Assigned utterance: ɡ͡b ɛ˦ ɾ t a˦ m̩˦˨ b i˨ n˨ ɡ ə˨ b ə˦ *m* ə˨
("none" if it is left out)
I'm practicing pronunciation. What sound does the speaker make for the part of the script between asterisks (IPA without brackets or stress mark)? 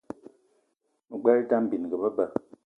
b